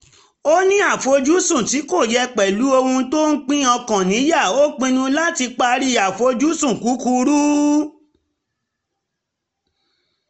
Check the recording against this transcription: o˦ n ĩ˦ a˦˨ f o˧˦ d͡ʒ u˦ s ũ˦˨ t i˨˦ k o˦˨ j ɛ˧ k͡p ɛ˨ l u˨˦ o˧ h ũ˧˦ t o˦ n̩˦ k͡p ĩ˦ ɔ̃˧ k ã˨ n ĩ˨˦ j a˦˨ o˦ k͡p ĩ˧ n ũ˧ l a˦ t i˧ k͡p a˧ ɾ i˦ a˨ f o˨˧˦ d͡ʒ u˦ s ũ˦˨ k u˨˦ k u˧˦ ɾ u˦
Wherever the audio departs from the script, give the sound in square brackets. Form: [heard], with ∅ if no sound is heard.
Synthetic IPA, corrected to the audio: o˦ n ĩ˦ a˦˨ f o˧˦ d͡ʒ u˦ s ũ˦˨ t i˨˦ k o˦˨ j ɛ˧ k͡p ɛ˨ l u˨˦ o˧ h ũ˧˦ t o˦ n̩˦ k͡p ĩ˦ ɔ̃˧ k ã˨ n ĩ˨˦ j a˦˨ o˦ k͡p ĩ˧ n ũ˧ l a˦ t i˧ k͡p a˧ ɾ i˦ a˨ f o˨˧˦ d͡ʒ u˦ s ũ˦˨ k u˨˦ k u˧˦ ɾ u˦